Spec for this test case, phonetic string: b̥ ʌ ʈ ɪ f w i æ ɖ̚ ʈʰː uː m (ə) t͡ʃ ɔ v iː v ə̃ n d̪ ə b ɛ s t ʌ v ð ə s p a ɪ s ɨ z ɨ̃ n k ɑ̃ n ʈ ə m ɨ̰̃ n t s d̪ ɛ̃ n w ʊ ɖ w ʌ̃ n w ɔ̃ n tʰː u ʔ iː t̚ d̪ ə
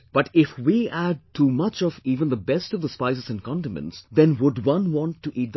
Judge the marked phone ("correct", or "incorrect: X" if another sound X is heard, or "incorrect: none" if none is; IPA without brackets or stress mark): incorrect: ʌ